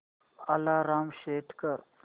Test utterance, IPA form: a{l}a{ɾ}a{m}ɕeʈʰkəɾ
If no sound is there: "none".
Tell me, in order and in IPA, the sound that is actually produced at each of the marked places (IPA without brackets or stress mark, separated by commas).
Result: l, ɾ, m